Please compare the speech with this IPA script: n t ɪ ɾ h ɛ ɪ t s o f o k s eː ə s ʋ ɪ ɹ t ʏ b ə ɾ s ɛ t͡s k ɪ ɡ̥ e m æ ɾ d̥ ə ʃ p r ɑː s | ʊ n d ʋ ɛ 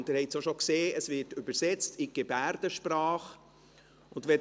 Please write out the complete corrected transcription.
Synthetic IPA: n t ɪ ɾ h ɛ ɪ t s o ʃ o k s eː ə s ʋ ɪ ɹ t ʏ b ə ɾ s ɛ t͡s t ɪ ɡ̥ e b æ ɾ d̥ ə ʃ p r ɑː χ | ʊ n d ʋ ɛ